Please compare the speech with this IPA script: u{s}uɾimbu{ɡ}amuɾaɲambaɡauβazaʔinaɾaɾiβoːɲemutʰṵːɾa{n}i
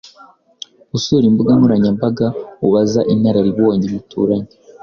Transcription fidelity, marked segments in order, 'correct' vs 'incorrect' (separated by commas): correct, correct, incorrect